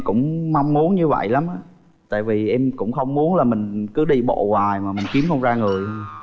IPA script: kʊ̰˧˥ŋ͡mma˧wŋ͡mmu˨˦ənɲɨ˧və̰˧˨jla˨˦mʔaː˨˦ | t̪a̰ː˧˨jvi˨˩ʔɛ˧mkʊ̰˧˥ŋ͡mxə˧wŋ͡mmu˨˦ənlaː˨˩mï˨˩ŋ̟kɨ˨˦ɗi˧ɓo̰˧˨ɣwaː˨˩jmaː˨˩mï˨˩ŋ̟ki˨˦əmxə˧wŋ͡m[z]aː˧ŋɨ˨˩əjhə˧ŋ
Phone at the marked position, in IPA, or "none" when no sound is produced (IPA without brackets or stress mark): z